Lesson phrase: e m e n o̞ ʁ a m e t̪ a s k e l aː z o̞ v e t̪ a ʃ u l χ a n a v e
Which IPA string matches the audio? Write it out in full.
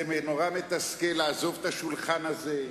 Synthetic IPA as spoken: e m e n o̞ ʁ a m e t̪ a s k e l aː z o̞ v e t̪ a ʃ u l χ a n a z e